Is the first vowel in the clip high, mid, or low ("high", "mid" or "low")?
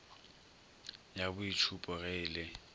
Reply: low